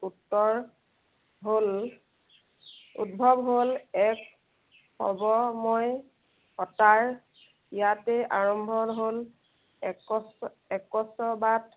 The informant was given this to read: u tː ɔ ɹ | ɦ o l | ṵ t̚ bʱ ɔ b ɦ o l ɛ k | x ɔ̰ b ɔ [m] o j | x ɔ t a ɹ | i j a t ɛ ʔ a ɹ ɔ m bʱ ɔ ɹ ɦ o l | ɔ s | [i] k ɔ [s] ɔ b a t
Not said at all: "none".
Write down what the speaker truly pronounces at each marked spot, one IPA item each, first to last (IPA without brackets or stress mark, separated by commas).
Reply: m, ɛ, s